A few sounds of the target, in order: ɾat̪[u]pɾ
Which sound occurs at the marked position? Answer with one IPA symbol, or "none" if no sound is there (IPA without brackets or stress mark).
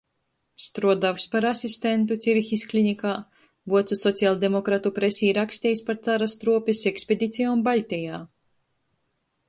u